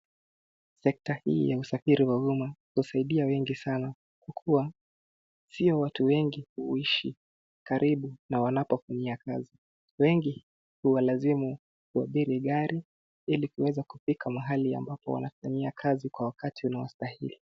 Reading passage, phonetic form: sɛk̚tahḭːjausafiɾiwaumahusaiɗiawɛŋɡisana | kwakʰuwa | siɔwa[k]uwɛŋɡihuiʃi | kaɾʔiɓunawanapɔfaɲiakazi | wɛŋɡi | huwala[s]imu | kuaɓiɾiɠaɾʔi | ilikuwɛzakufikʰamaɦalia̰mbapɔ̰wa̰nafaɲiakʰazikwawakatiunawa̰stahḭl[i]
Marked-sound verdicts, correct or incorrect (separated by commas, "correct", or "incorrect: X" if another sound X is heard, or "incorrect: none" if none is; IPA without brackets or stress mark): incorrect: t, incorrect: z, correct